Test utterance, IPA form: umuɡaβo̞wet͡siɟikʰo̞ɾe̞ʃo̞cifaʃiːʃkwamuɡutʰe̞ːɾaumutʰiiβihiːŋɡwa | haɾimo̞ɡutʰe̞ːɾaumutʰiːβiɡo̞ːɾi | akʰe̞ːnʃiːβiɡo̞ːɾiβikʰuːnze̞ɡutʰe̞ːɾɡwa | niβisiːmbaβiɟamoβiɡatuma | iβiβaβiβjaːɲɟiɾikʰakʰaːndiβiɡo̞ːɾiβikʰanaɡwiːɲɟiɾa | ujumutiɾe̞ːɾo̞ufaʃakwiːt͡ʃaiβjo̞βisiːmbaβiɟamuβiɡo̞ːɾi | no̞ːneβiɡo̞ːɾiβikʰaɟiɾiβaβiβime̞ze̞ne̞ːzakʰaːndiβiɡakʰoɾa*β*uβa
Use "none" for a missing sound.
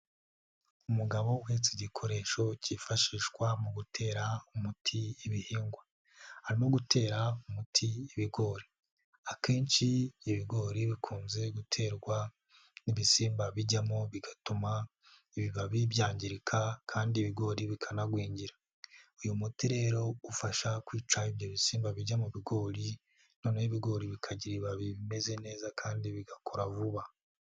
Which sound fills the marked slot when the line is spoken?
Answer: v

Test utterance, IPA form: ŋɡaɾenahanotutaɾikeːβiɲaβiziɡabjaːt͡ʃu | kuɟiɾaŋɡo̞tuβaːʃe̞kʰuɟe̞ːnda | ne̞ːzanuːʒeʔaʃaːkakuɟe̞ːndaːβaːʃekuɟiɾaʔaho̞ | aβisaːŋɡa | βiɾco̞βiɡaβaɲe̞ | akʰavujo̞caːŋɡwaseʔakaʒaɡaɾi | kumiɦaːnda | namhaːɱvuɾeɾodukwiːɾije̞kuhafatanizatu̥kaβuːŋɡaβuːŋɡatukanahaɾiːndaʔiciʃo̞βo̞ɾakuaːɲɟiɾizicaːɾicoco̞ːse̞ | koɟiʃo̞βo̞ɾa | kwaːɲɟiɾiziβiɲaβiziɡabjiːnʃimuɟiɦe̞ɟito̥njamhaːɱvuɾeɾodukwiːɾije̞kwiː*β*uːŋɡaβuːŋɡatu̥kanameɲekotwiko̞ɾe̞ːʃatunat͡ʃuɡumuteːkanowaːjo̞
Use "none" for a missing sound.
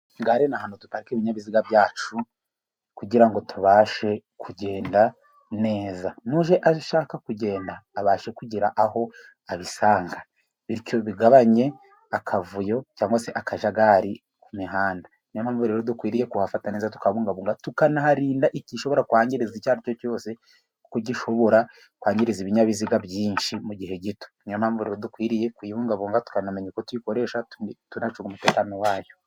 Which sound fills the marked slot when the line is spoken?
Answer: β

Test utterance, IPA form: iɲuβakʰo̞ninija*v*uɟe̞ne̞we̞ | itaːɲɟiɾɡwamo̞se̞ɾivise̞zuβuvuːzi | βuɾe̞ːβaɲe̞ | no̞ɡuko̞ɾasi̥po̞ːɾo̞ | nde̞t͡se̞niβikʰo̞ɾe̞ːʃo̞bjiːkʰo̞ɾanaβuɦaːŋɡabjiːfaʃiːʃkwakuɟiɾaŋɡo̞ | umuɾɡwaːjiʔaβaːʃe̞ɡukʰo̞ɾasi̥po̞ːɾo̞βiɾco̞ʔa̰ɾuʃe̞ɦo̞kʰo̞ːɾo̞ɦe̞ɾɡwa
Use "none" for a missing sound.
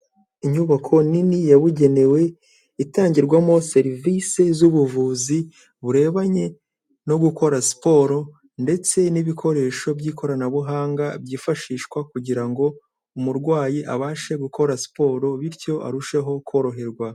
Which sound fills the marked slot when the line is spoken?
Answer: β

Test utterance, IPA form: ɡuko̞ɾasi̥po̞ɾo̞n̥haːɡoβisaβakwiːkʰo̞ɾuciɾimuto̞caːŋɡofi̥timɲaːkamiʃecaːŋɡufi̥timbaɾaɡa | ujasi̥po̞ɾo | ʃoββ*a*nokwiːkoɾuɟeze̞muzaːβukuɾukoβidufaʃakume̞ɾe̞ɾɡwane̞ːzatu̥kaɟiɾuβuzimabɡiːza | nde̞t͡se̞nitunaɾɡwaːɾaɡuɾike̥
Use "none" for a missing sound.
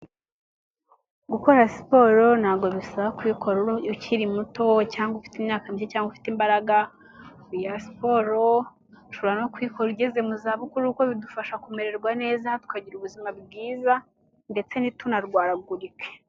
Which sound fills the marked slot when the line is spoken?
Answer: a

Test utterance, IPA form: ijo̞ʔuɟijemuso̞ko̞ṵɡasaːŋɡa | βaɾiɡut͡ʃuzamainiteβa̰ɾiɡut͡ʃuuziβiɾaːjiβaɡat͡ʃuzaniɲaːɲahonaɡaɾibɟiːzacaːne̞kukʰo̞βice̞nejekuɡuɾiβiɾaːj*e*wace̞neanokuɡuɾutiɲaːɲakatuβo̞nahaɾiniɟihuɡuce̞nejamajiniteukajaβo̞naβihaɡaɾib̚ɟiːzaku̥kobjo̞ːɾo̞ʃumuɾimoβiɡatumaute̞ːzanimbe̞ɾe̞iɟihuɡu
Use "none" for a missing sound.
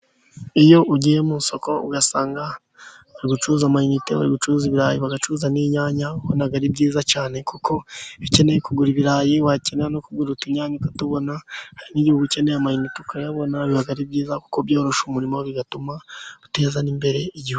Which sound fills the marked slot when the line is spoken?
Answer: i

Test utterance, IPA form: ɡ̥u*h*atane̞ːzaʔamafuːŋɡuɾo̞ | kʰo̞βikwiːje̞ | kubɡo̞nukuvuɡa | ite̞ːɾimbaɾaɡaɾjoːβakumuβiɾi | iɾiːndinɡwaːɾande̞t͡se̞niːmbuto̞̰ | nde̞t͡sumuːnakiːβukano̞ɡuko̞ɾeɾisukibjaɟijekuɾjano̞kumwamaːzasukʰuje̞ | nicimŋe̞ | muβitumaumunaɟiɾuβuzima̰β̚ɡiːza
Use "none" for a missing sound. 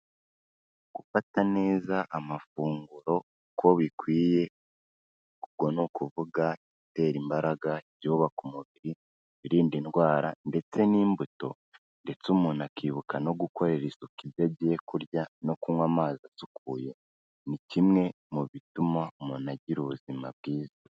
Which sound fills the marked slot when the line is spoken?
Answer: f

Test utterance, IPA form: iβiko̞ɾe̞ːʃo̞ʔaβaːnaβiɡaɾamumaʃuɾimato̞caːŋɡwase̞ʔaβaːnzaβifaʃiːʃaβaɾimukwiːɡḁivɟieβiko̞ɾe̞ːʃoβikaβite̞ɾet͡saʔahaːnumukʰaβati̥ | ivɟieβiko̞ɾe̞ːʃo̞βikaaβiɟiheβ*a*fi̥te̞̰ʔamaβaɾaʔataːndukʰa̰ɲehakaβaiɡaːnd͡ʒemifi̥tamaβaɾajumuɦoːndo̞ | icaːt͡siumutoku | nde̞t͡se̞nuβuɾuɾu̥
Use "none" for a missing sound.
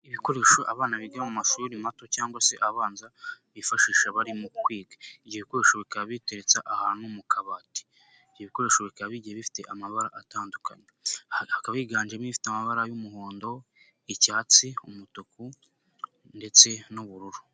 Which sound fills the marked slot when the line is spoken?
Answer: i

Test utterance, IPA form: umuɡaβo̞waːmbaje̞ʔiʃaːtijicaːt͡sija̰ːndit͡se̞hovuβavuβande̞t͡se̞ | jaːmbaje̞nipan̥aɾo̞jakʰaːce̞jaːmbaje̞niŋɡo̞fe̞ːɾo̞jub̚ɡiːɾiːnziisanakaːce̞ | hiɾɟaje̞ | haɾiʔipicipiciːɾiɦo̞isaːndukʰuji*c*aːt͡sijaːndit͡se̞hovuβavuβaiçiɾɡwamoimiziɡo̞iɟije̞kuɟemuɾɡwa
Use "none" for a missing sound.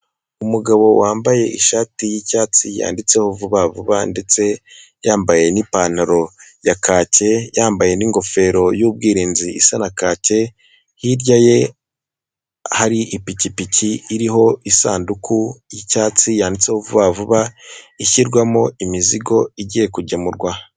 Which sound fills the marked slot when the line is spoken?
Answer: c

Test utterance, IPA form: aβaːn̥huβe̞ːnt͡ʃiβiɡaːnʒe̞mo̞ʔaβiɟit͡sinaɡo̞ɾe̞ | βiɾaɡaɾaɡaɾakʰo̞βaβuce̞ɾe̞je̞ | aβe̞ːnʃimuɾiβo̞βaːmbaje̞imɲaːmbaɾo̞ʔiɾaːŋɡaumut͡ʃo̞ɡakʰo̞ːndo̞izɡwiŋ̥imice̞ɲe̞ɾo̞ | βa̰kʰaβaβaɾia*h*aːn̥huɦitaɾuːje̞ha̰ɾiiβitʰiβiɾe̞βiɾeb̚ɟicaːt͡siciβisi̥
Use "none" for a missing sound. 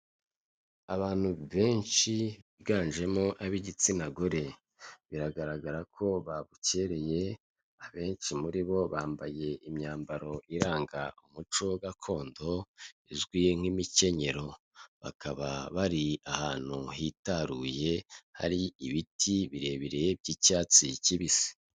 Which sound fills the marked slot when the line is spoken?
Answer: h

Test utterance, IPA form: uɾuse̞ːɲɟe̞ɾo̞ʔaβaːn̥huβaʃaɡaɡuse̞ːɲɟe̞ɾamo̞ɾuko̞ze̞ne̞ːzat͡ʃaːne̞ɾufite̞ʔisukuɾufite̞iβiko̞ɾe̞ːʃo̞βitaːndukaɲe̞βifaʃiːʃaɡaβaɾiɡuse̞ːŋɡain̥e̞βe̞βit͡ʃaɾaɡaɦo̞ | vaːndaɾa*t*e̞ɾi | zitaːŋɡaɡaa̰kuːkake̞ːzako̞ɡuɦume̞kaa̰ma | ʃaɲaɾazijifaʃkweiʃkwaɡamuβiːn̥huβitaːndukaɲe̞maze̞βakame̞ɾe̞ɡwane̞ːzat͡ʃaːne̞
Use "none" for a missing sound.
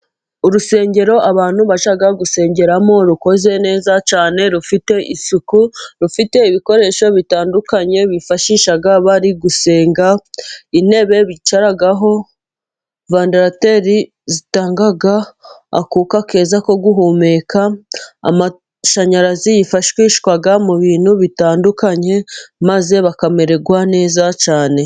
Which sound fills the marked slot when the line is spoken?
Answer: t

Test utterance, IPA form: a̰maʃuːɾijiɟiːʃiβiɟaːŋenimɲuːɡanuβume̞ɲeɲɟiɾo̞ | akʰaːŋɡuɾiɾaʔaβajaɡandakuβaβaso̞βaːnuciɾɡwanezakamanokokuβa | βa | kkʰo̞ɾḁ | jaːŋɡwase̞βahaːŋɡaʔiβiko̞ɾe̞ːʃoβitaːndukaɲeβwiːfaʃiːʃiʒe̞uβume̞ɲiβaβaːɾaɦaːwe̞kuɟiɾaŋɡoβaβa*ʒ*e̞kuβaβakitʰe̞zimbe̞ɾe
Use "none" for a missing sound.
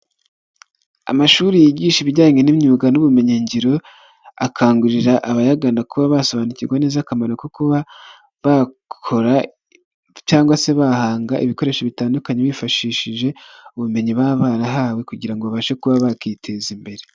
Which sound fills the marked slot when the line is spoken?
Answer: ʃ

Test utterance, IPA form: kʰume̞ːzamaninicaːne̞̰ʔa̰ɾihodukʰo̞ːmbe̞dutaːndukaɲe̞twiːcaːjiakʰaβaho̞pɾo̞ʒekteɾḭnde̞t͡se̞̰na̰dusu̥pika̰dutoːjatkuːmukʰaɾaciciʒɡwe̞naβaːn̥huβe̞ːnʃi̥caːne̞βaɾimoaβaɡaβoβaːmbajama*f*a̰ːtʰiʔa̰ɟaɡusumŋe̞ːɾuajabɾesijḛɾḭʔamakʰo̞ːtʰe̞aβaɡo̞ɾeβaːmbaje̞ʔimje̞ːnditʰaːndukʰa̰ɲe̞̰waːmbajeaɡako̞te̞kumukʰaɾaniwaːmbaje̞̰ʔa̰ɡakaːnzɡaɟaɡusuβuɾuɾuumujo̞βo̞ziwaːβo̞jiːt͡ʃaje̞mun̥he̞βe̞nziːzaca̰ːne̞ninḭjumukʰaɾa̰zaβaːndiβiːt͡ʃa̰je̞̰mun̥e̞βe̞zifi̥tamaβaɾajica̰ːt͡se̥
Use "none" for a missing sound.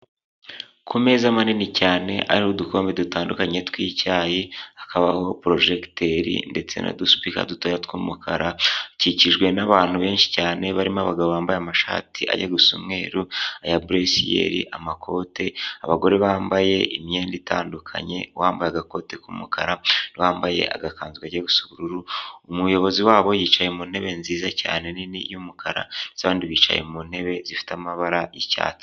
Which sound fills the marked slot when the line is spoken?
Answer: ʃ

